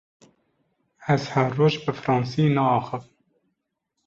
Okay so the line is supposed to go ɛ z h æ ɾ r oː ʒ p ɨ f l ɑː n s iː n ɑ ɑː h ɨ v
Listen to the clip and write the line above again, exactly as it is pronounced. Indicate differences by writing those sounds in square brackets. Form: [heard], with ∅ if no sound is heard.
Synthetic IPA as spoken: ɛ z h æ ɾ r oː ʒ [b] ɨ f [ɾ] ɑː n s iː n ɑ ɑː [x] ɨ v